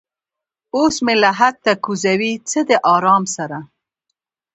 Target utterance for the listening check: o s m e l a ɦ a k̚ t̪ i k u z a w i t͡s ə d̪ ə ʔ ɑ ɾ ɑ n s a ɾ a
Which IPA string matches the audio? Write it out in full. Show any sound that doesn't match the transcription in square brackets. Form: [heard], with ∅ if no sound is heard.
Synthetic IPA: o s m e l a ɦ a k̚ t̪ [a] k u z a w i t͡s ə d̪ ə ʔ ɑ ɾ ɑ [m] s a ɾ a